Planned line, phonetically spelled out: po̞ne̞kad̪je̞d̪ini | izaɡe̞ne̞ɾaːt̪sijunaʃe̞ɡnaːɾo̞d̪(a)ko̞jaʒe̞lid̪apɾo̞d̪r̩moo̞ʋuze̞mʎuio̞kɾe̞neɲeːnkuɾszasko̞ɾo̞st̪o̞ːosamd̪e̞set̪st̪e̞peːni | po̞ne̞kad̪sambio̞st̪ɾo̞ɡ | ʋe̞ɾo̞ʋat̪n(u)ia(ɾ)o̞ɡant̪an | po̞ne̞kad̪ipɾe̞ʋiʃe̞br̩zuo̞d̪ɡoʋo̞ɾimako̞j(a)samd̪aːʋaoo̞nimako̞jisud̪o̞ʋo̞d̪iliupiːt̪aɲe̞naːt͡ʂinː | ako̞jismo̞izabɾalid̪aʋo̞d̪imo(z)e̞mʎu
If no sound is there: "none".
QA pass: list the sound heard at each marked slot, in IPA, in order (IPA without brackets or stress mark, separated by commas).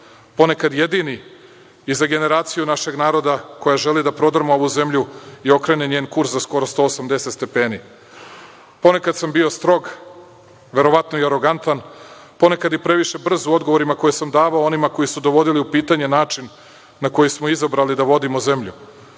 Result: a, o, ɾ, e, z